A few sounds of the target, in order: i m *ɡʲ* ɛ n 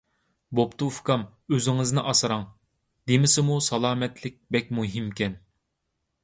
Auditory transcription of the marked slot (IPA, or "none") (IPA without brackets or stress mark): kʲ